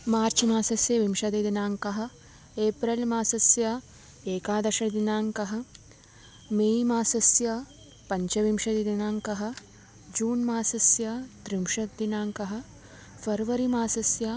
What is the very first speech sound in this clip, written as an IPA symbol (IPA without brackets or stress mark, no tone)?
m